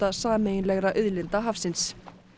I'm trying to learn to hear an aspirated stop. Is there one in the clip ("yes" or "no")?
no